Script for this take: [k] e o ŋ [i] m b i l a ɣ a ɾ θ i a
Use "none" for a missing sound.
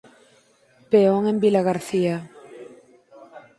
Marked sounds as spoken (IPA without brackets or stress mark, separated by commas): p, e